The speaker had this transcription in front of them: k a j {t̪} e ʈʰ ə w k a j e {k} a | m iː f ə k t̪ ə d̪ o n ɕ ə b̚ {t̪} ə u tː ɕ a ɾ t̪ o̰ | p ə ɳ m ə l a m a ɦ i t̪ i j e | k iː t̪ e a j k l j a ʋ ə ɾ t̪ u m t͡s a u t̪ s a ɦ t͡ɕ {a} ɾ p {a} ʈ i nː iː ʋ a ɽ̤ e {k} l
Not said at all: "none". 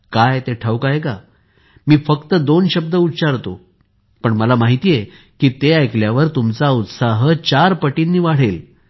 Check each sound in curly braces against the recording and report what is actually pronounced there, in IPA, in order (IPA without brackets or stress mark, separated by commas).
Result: t̪, k, d̪, a, ə, none